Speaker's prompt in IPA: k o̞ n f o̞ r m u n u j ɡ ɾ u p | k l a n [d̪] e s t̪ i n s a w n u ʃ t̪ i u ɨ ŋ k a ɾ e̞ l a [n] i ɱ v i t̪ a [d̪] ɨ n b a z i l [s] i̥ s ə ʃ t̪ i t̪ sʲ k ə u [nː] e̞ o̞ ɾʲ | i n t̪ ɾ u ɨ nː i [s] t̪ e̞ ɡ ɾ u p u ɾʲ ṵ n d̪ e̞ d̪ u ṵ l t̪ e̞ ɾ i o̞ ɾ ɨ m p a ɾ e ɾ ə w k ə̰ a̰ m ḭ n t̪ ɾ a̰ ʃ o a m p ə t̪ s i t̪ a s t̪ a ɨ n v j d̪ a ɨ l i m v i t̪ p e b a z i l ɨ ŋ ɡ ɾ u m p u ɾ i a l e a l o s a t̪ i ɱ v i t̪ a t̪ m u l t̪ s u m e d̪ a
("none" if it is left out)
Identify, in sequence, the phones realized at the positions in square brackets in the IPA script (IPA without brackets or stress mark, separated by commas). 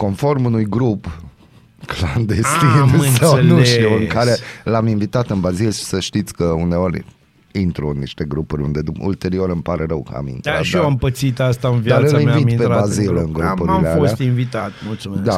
d̪, m, t̪, ʃ, n, ʃ